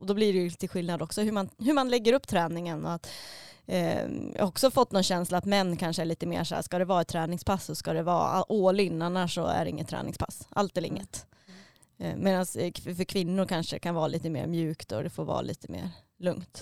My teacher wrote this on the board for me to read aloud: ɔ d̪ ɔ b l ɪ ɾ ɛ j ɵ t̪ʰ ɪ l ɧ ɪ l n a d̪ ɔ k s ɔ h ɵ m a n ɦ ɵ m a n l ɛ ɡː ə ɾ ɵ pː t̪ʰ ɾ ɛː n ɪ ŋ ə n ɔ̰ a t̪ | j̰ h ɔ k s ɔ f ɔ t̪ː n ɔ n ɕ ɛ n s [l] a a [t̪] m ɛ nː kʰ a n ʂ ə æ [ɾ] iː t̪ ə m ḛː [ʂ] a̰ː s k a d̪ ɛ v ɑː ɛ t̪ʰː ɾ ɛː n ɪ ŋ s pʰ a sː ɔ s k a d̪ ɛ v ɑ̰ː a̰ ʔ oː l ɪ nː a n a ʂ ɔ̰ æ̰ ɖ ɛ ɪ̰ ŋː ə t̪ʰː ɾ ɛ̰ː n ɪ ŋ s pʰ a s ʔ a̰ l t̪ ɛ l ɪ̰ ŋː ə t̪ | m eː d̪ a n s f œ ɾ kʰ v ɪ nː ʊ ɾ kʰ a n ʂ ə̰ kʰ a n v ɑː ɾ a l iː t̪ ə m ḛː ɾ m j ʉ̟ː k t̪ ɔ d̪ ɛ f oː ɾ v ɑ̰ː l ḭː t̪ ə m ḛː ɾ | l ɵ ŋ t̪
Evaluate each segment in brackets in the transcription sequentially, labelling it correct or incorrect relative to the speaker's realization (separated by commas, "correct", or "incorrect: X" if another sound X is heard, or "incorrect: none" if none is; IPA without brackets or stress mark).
correct, correct, incorrect: ɭ, correct